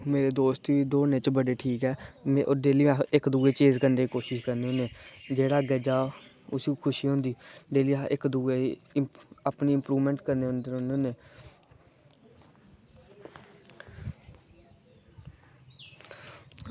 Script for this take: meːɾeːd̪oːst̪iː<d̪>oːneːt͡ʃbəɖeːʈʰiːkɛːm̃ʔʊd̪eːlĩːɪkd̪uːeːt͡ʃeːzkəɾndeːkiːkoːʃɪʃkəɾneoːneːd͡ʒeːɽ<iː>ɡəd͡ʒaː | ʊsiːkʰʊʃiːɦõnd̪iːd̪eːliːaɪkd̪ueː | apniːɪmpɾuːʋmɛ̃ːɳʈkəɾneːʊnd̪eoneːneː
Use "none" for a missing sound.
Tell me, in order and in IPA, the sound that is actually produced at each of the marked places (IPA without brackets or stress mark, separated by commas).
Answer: d̪, aː